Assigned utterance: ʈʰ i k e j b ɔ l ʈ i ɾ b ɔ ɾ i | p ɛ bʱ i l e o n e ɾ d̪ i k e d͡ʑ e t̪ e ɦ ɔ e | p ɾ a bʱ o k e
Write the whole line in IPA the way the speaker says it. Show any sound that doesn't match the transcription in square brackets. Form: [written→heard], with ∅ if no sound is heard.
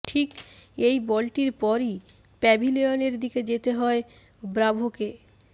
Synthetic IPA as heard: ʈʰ i k e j b ɔ l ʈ i ɾ [b→p] ɔ ɾ i | p ɛ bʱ i l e o n e ɾ d̪ i k e d͡ʑ e t̪ e ɦ ɔ e | [p→b] ɾ a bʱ o k e